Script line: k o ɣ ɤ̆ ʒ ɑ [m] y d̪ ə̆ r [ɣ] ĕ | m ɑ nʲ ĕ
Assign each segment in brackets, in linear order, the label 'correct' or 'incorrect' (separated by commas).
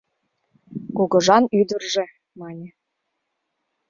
incorrect, incorrect